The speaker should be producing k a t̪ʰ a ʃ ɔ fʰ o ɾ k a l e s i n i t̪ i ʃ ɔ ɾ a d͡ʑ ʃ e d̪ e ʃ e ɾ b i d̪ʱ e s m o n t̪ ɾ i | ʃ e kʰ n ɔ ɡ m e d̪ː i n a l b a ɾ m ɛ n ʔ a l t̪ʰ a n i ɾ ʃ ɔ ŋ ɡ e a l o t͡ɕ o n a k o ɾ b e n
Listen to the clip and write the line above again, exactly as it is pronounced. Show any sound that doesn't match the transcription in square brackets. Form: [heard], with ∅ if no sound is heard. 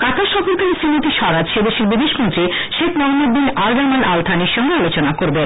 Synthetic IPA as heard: k a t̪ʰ a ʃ ɔ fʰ o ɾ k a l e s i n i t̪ i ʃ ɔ ɾ a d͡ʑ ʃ e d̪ e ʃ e ɾ b i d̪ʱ e [ʃ] m o n t̪ ɾ i | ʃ e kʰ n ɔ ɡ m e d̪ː i n a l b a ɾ m [a] n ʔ a l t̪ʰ a n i ɾ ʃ ɔ ŋ ɡ e a l o t͡ɕ o n a k o ɾ b e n

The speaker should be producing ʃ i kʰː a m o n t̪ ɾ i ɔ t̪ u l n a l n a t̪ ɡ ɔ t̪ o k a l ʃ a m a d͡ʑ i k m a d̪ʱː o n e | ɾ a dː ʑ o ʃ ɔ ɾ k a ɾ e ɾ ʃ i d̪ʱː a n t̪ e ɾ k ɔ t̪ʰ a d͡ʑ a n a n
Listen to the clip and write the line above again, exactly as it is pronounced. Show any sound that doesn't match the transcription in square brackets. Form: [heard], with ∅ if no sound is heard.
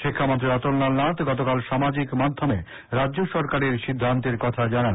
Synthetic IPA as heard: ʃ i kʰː a m o n t̪ ɾ i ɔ t̪ [o] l n a l n a t̪ ɡ ɔ t̪ o k a l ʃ a m a d͡ʑ i k m a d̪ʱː o [m] e | ɾ a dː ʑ o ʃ ɔ ɾ k a ɾ e ɾ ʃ i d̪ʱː a n t̪ e ɾ k ɔ t̪ʰ a d͡ʑ a n a n

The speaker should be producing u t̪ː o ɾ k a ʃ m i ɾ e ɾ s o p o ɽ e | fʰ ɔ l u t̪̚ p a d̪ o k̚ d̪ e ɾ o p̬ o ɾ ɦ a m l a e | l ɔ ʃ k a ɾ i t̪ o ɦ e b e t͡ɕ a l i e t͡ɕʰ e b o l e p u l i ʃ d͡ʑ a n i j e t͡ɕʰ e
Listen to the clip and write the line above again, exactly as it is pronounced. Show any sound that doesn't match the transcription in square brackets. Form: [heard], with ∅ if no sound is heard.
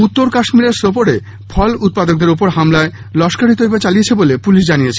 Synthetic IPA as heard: u t̪ː o ɾ k a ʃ m i ɾ e ɾ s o p o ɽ e | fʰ ɔ l u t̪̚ p a d̪ o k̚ d̪ e ɾ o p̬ o ɾ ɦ a m l a e | l ɔ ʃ k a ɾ i t̪ o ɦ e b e t͡ɕ a l i e t͡ɕʰ e b o l e p u l i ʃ d͡ʑ a n i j e t͡ɕʰ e

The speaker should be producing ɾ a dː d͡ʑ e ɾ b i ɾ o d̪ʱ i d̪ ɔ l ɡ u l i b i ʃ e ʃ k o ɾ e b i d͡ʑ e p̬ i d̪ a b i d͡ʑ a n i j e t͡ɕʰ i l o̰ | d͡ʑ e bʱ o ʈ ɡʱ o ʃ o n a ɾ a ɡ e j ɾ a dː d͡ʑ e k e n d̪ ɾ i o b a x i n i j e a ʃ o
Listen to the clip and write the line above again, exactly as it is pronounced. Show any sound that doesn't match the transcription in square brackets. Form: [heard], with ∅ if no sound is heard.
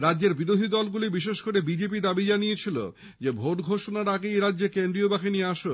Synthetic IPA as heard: ɾ a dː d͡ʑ e ɾ b i ɾ o d̪ʱ i d̪ ɔ l ɡ u l i b i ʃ e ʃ k o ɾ e b i d͡ʑ e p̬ i d̪ a b i d͡ʑ a n i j e t͡ɕʰ i l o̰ | d͡ʑ e bʱ o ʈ ɡʱ o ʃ o n a ɾ a ɡ e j ɾ a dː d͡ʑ e k e n d̪ ɾ i o b a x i n i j e a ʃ o

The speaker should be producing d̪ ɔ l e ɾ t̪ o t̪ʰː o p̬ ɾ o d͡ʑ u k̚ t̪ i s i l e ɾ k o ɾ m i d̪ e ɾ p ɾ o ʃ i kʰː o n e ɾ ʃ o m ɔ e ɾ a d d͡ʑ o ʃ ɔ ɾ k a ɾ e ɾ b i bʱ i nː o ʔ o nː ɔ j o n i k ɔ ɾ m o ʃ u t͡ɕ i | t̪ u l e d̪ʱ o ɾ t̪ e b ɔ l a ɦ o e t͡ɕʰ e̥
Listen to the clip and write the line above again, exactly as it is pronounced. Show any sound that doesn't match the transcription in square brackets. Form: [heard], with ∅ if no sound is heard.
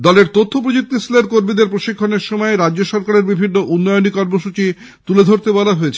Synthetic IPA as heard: d̪ ɔ l e ɾ t̪ o t̪ʰː o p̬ ɾ o d͡ʑ u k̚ t̪ i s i l e ɾ k o ɾ m i d̪ e ɾ p ɾ o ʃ i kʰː o n e ɾ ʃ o m ɔ e ɾ a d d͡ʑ o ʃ ɔ ɾ k a ɾ e ɾ b i bʱ i nː o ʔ [u] nː ɔ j o n i k ɔ ɾ m o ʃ u t͡ɕ i | t̪ u l e d̪ʱ o ɾ t̪ e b ɔ l a ɦ o e t͡ɕʰ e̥

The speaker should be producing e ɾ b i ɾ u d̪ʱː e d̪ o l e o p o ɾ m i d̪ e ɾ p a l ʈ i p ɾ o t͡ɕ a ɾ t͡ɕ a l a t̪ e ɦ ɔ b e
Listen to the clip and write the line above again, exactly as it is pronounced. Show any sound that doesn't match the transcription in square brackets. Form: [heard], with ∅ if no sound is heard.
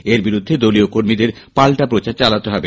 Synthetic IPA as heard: e ɾ b i ɾ u d̪ʱː e d̪ o l [i] o [k] o ɾ m i d̪ e ɾ p a l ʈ [a] p ɾ o t͡ɕ a ɾ t͡ɕ a l a t̪ e ɦ ɔ b e

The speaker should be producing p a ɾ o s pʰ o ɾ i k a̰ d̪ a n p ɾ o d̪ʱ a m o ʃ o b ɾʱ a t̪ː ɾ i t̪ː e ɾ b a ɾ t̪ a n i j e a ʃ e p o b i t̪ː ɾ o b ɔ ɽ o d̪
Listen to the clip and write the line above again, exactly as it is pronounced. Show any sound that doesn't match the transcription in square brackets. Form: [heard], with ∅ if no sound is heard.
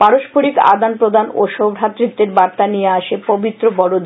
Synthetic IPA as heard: p a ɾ o [ʃ] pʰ o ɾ i k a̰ d̪ a n p ɾ o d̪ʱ a [n] o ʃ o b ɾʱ a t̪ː ɾ i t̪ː e ɾ b a ɾ t̪ a n i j e a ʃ e p o b i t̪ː ɾ o b ɔ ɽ o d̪

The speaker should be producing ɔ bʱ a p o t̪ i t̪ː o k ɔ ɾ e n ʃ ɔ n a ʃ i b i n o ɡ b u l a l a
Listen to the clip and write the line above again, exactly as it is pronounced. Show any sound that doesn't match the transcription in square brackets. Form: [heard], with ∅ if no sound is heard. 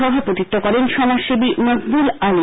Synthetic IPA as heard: ɔ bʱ a p o t̪ i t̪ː o k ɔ ɾ e n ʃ ɔ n a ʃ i b i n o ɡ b u l a l [i]

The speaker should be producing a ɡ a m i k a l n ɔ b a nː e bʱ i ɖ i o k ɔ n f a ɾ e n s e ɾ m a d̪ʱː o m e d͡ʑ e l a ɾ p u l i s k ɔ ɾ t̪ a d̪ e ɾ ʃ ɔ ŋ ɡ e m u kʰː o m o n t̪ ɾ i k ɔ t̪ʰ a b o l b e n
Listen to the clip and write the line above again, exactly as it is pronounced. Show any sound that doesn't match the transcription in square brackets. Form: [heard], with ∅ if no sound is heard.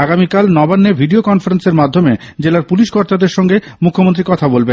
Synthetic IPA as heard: a ɡ a m i k a l n ɔ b a nː e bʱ i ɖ i o k ɔ n f a ɾ e n s e ɾ m a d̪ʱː o m e d͡ʑ e l a ɾ p u l i [ʃ] k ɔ ɾ t̪ a d̪ e ɾ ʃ ɔ ŋ ɡ e m u kʰː o m o n t̪ ɾ i k ɔ t̪ʰ a b o l b e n

